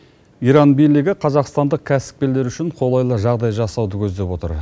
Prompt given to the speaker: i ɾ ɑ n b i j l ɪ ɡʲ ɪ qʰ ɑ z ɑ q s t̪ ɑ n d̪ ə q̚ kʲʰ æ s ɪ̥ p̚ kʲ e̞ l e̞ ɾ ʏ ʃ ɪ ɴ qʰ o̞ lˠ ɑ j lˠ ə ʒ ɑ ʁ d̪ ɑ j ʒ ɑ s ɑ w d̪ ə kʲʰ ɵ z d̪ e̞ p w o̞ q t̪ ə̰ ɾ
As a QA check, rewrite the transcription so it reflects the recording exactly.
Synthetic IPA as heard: i ɾ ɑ n b i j l ɪ ɡʲ ɪ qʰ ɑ z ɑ q s t̪ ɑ n d̪ ə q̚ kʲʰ æ s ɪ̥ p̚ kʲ e̞ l e̞ ɾ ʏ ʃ ɪ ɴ qʰ o̞ lˠ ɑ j lˠ ə ʒ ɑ ʁ d̪ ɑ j ʒ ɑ s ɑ w d̪ ə kʲʰ ɵ z d̪ e̞ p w o̞ t̪ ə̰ ɾ